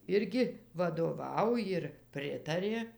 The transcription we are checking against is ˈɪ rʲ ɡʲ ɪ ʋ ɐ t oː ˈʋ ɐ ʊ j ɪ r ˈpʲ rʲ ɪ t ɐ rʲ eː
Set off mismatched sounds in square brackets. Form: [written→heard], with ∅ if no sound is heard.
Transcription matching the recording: ˈɪ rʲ ɡʲ ɪ ʋ ɐ [t→d] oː ˈʋ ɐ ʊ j ɪ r ˈpʲ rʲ ɪ t ɐ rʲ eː